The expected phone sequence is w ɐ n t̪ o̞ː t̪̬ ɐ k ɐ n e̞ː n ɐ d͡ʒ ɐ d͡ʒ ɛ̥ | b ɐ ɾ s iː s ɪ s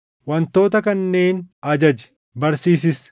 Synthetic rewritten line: w ɐ n t̪ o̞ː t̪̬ ɐ k ɐ nː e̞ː n ɐ d͡ʒ ɐ d͡ʒ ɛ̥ | b ɐ ɾ s iː s ɪ s